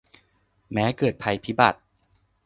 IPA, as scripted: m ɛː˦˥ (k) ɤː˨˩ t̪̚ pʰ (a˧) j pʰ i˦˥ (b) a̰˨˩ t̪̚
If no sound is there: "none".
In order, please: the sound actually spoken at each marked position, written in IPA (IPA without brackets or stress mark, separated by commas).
k, a˧, b